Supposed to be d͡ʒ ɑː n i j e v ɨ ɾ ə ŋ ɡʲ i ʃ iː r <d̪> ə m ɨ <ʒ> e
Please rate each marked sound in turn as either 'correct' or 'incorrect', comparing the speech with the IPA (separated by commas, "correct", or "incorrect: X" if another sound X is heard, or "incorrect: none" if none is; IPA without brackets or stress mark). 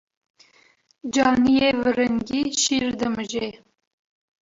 correct, correct